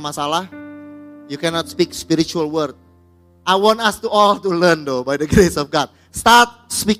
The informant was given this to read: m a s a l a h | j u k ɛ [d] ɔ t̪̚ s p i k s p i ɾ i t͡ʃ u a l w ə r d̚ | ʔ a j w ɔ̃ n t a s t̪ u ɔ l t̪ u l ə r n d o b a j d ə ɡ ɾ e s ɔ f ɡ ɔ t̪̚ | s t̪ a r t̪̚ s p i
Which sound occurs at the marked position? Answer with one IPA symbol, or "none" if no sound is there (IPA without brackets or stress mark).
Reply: n